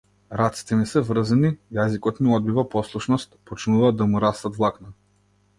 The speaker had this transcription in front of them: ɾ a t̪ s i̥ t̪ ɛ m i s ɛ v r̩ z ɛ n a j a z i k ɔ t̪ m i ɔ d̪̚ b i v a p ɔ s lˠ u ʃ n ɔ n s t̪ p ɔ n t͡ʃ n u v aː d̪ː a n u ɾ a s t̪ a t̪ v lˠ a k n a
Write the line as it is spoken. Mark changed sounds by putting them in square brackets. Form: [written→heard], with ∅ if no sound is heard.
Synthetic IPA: ɾ a t̪ s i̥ t̪ ɛ m i s ɛ v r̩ z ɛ n [a→i] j a z i k ɔ t̪ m i ɔ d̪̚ b i v a p ɔ s lˠ u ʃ n ɔ [n→∅] s t̪ p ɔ [n→∅] t͡ʃ n u v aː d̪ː a [n→m] u ɾ a s t̪ a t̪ v lˠ a k n a